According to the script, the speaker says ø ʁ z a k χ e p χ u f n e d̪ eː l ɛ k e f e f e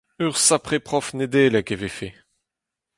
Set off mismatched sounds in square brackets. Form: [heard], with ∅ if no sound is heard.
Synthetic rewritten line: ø ʁ [s] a [p] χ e p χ [ɔ] f n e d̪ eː l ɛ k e [v] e f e

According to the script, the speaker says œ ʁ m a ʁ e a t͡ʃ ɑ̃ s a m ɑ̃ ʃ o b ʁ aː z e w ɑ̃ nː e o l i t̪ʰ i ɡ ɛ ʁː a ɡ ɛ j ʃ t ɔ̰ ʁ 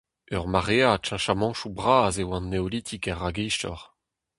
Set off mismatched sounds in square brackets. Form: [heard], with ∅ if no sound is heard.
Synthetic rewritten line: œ ʁ m a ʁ e a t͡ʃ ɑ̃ [ʃ] a m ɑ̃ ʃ [u] b ʁ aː z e w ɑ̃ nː e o l i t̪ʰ i [k] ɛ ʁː a ɡ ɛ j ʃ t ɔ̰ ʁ

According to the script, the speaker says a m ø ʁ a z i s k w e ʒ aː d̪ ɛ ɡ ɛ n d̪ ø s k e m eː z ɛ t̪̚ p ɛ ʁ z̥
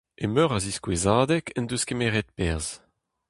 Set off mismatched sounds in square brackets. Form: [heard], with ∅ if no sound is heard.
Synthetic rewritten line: [e] m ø ʁ a z i s k w e [z] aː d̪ ɛ [k] ɛ n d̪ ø s k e m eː [ʁ] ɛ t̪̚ p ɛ ʁ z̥

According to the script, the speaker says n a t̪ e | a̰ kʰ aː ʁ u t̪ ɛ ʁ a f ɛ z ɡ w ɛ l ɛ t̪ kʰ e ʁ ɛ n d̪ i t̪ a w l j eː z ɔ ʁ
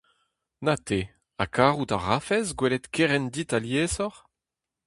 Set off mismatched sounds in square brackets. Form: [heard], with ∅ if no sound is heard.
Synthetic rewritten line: n a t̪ e | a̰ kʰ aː ʁ u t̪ [a] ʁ a f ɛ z ɡ w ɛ l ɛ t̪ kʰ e ʁ ɛ n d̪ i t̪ a [∅] l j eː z ɔ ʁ

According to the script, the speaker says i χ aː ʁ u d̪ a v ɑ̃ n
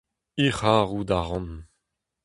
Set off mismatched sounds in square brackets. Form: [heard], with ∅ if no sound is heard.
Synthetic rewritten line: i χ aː ʁ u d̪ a [ʁ] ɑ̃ n

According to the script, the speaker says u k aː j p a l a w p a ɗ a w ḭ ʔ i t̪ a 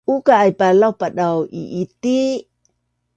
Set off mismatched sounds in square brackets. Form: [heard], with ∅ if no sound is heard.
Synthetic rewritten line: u k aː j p a l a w p a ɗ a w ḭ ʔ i t̪ [i]

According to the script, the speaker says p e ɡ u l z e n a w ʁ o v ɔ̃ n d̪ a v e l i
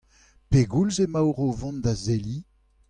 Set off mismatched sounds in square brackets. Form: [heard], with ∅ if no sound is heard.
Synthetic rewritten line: p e ɡ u l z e [m] a w ʁ o v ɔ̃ n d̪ a [z] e l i

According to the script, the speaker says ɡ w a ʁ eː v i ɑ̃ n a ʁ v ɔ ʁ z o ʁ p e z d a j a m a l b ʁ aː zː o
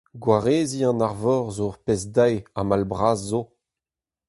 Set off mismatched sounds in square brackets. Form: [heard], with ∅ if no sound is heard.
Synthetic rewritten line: ɡ w a ʁ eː [z] i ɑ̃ n a ʁ v ɔ ʁ z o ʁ p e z d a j a m a l b ʁ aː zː o

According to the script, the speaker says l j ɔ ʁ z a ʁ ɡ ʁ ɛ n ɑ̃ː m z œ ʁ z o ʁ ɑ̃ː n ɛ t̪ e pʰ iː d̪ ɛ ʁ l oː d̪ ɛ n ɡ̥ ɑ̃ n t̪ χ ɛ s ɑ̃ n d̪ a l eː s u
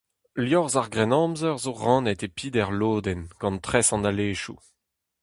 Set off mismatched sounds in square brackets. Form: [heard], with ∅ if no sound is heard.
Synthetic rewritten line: l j ɔ ʁ z a ʁ ɡ ʁ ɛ n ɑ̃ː m z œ ʁ z o ʁ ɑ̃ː n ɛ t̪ e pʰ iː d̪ ɛ ʁ l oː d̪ ɛ n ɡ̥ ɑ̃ n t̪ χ ɛ s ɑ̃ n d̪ a l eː [ʃ] u

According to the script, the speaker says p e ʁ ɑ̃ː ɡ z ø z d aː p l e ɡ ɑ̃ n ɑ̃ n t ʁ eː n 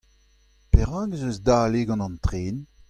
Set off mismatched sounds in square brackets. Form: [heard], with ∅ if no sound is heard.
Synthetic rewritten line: p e ʁ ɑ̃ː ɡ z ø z d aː [∅] l e ɡ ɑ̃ n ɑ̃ n t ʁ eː n

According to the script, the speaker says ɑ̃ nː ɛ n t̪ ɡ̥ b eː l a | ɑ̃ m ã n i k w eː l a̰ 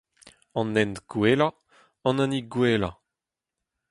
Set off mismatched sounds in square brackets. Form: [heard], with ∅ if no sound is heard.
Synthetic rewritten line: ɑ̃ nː ɛ n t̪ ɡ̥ [w] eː l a | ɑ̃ [n] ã n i [ɡ] w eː l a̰

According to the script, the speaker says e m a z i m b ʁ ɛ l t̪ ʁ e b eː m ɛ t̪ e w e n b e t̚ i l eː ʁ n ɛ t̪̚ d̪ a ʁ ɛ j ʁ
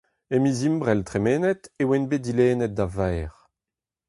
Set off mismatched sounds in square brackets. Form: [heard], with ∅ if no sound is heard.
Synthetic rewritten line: e m [i] z i m b ʁ ɛ l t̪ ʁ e [m] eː [n] ɛ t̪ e w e n b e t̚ i l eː [∅] n ɛ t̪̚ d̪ a [v] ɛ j ʁ

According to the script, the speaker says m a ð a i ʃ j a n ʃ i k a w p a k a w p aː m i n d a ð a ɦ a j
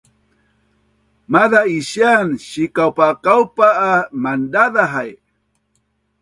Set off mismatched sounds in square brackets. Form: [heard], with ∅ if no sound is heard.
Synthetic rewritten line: m a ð a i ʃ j a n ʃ i k a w p a k a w p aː m [a] n d a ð a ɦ a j

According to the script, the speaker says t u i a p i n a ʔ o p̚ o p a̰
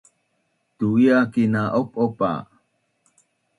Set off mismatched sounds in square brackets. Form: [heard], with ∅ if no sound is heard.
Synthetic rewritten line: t u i a [k] i n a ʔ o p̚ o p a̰

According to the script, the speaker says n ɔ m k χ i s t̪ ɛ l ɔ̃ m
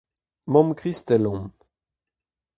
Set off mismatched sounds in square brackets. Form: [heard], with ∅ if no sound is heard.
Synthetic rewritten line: [m] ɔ m k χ i s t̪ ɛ l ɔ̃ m

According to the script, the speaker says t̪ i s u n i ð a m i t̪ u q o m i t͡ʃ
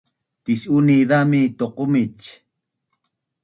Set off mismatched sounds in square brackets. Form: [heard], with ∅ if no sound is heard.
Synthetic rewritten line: t̪ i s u n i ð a m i t̪ [o] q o m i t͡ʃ

